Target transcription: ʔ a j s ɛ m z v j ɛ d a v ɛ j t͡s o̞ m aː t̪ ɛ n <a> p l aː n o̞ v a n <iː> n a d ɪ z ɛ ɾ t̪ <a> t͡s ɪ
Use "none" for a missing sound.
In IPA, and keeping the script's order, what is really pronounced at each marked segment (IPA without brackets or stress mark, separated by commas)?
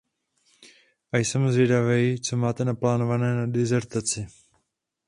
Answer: a, ɛː, a